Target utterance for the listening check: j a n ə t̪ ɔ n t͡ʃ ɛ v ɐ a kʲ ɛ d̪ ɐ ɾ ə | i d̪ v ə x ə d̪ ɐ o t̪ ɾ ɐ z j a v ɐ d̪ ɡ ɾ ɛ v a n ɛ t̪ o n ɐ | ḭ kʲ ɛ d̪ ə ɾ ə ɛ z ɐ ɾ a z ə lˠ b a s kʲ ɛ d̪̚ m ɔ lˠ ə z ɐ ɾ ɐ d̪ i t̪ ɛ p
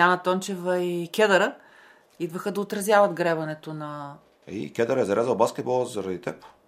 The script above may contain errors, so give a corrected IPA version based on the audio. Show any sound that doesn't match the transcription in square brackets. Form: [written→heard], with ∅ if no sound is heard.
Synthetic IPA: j a n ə t̪ ɔ n t͡ʃ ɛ v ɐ [a→i] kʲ ɛ d̪ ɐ ɾ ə | i d̪ v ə x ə d̪ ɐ o t̪ ɾ ɐ z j a v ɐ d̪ ɡ ɾ ɛ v [a→ɐ] n ɛ t̪ o n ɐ | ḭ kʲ ɛ d̪ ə ɾ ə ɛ z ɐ ɾ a z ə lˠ b a s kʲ ɛ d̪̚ [m→b] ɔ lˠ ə z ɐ ɾ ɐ d̪ i t̪ ɛ p